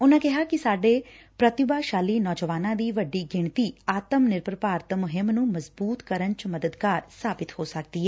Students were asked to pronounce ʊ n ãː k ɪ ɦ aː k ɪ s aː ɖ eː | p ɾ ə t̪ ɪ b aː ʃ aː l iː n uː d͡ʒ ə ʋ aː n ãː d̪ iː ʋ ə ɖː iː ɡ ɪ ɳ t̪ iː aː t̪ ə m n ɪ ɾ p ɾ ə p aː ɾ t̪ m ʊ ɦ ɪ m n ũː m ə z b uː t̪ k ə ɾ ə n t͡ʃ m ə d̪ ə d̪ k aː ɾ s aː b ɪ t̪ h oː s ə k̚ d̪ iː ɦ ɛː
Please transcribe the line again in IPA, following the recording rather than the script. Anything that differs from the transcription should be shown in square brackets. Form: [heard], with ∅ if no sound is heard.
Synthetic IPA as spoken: ʊ n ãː k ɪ ɦ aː k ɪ s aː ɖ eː | p ɾ ə t̪ ɪ b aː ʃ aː l iː n [ɔː] d͡ʒ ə ʋ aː n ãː d̪ iː ʋ ə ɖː iː ɡ ɪ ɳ t̪ iː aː t̪ ə m n ɪ ɾ p ɾ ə p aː ɾ t̪ m ʊ ɦ ɪ m n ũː m ə z b uː t̪ k ə ɾ ə n t͡ʃ m ə d̪ ə d̪ k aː ɾ s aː b ɪ t̪ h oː s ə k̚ d̪ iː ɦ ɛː